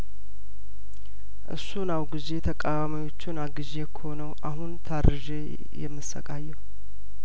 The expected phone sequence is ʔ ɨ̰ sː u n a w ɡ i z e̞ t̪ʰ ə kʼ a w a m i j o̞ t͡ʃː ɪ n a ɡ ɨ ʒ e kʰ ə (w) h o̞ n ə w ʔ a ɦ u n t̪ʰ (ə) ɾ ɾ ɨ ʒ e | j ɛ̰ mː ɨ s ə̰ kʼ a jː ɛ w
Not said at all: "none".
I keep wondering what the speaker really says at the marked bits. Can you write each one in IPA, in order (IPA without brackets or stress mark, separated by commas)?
none, a